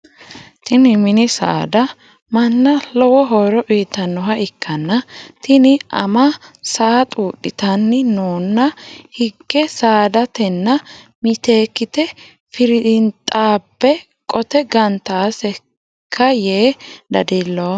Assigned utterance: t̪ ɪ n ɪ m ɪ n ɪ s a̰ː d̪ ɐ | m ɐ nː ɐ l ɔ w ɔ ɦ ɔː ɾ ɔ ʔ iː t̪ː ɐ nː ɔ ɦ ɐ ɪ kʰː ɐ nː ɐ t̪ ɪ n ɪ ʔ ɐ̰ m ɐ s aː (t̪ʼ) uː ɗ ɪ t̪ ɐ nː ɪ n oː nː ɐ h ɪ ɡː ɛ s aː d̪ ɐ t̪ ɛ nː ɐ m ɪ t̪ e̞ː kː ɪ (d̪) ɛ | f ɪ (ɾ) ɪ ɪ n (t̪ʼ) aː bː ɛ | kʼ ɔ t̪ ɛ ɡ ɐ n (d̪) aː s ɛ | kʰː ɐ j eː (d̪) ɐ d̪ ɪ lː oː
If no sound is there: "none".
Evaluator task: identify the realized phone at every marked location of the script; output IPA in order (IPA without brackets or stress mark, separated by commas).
t̪ʼ, t̪, ɾ, t̪ʼ, t̪, d̪